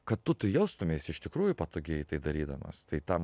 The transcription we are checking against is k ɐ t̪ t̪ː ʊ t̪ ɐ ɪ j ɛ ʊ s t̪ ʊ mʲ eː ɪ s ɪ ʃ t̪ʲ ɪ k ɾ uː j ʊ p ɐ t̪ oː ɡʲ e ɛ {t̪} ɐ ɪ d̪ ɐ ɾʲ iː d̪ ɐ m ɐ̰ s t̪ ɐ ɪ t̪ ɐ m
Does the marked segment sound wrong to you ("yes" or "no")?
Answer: no